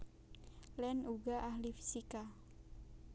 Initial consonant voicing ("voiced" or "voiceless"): voiced